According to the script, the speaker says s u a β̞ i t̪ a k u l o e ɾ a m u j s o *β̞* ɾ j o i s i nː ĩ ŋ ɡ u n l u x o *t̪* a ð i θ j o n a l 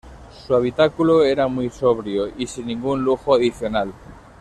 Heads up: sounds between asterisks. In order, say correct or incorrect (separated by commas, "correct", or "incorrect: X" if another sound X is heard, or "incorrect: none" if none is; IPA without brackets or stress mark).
correct, incorrect: none